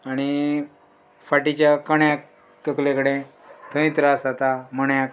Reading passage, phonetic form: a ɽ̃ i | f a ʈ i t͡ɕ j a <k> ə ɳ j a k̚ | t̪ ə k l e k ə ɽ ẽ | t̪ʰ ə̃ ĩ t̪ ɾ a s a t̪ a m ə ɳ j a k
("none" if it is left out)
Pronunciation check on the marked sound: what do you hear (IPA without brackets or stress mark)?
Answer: k